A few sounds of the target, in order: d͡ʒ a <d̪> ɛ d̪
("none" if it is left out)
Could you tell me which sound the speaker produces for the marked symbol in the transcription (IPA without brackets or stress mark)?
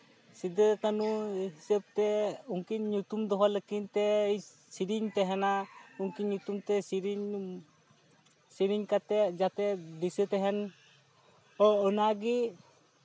t̪